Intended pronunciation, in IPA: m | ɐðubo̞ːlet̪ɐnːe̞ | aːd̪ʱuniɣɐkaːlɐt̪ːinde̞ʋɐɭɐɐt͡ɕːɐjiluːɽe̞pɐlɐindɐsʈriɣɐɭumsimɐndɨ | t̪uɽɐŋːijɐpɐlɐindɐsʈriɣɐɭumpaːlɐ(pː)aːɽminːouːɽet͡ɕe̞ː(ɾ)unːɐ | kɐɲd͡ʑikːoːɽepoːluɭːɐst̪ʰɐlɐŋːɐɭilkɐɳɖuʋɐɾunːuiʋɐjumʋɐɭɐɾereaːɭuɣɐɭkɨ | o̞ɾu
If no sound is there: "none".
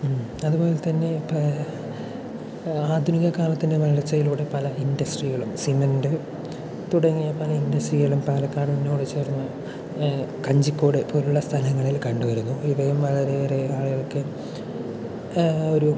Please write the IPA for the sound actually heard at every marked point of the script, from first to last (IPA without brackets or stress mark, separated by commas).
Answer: kː, r